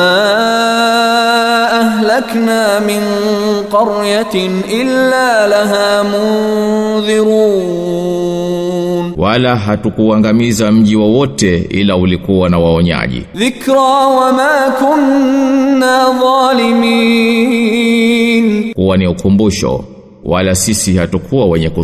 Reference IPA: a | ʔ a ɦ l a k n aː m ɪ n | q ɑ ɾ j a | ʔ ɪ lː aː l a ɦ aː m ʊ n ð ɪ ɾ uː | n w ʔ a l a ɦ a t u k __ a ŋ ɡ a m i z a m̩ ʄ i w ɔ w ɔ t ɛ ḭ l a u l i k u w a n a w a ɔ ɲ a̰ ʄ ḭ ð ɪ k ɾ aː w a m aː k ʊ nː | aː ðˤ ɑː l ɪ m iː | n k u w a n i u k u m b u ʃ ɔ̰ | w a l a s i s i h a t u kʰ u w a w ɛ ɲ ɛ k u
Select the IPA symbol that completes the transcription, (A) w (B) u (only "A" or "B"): B